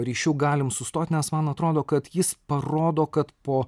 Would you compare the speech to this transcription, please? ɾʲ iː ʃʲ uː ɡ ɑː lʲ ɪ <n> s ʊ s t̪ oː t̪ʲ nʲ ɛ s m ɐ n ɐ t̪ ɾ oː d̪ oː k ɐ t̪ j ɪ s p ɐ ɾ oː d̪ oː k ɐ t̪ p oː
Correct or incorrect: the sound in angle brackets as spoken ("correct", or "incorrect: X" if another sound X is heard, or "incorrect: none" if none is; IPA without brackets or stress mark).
incorrect: m